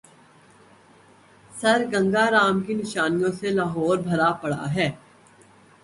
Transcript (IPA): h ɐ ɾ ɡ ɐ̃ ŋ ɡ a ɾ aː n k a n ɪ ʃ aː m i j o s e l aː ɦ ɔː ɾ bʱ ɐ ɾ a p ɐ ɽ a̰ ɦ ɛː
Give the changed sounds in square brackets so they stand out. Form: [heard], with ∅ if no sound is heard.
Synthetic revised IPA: [s] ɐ ɾ ɡ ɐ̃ ŋ ɡ a ɾ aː [m] k [i] n ɪ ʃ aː [n] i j [õ] s e l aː ɦ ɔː ɾ bʱ ɐ ɾ a p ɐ ɽ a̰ ɦ ɛː